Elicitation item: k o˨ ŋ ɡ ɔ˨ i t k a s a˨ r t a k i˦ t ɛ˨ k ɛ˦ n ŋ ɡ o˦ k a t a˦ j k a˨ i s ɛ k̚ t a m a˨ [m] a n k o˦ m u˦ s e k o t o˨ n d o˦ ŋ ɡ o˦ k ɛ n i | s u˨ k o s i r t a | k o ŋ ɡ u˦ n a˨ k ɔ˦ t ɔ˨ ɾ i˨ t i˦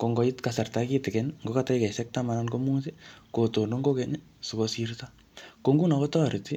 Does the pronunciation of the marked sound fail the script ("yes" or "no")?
yes